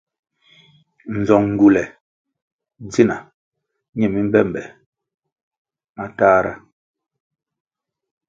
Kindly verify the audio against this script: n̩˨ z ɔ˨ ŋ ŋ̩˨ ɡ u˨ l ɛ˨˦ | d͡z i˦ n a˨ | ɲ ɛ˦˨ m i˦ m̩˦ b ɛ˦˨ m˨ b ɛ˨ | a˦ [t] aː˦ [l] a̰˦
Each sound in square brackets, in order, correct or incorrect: correct, incorrect: ɾ

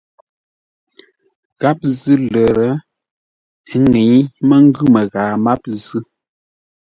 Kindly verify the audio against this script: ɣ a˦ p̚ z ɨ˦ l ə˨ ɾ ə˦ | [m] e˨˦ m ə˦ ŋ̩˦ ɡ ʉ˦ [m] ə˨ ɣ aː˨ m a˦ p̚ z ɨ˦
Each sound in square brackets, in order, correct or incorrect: incorrect: ŋ, correct

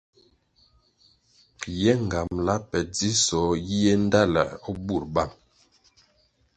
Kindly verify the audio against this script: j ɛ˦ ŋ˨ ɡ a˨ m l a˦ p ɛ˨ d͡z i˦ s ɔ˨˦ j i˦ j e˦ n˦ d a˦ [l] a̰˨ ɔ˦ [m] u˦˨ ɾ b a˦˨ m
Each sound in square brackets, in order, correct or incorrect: correct, incorrect: b

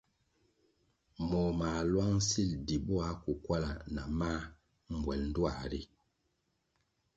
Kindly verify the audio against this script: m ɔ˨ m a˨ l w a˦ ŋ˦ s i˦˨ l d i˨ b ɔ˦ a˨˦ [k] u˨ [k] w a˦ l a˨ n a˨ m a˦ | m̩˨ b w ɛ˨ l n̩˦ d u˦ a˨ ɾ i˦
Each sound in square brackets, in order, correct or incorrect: correct, correct

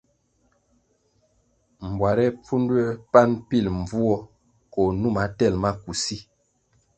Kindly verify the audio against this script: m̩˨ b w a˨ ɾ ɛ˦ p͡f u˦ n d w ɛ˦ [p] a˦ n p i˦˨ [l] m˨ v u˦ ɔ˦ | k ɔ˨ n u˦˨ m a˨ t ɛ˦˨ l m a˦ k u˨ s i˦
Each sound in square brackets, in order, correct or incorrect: correct, correct

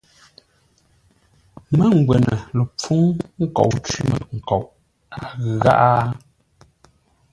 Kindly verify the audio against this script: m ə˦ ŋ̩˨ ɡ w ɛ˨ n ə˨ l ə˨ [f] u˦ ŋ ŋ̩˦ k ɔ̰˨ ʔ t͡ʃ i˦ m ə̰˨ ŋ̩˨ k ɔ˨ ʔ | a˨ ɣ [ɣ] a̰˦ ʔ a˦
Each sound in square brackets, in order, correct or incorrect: incorrect: p͡f, correct

